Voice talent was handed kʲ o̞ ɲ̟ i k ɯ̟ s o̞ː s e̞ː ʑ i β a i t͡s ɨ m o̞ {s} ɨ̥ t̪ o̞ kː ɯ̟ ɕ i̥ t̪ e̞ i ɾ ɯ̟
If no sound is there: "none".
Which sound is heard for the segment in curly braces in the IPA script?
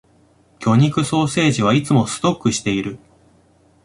s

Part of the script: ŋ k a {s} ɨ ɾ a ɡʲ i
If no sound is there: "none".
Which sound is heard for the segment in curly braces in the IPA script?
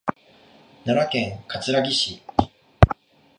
t͡s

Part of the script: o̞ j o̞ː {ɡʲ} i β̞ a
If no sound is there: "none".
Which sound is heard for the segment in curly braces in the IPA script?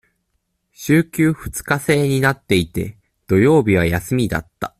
bʲ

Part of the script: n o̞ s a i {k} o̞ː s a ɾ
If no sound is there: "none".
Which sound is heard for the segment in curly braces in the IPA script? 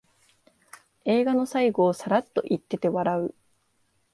ɡ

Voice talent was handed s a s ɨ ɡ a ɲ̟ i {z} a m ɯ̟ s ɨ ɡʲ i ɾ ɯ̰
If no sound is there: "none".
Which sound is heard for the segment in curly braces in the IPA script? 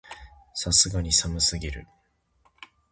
s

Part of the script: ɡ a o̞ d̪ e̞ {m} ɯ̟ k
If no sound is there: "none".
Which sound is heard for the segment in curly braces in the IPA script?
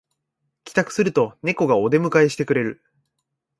m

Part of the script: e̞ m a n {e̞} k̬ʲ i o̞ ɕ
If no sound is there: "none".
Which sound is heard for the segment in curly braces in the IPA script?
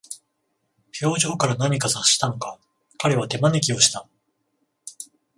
e̞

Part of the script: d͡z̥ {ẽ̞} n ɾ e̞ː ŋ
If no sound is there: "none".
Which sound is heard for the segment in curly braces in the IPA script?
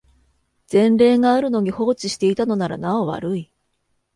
ẽ̞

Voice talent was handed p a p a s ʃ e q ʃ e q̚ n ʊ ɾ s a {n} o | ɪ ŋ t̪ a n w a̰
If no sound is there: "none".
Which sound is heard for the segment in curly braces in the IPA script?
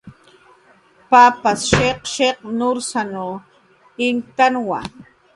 n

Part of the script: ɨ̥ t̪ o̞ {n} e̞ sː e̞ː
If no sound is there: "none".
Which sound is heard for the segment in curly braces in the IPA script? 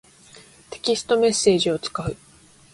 m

